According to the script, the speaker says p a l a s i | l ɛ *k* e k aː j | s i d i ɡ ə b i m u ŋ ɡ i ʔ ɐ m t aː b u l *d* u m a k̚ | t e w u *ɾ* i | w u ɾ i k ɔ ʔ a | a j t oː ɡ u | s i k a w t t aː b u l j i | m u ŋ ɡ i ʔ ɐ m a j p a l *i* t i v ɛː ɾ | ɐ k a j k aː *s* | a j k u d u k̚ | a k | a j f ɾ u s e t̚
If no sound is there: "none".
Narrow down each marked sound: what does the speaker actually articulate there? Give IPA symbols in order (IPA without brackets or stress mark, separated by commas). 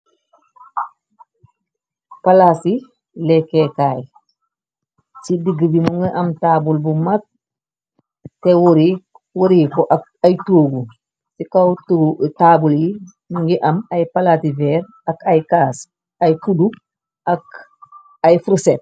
k, b, ɾ, a, s